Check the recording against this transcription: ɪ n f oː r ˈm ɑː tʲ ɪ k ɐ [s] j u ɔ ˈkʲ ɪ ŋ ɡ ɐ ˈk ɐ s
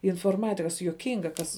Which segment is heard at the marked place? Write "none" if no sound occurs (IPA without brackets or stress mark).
s